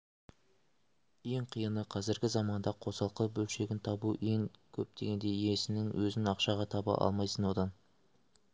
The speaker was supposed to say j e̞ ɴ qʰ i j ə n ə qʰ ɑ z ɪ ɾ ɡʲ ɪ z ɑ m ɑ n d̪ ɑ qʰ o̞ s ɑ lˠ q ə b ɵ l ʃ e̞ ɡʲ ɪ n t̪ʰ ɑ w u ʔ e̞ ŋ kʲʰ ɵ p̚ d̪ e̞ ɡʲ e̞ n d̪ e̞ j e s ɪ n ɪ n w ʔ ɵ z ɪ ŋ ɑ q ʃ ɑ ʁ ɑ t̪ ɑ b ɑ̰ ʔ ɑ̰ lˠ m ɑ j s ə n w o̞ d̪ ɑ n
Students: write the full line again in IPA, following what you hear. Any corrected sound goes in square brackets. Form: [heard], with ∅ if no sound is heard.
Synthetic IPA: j e̞ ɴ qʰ i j ə n ə qʰ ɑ z ɪ ɾ ɡʲ ɪ z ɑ m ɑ n d̪ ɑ qʰ o̞ s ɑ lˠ q ə b ɵ l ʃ e̞ ɡʲ ɪ n t̪ʰ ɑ [b] u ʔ e̞ ŋ kʲʰ ɵ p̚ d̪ e̞ ɡʲ e̞ n d̪ e̞ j e s ɪ n ɪ [ŋ] w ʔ ɵ z ɪ [n] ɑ q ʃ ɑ ʁ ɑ [t̪ʰ] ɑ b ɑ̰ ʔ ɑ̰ lˠ m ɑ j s ə n w o̞ d̪ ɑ n